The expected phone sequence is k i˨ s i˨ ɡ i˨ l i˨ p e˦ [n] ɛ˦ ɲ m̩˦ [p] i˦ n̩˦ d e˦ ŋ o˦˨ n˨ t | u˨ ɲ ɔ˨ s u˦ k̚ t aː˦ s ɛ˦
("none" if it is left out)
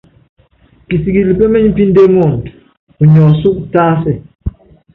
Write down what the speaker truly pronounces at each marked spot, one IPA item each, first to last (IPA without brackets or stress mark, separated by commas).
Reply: m, p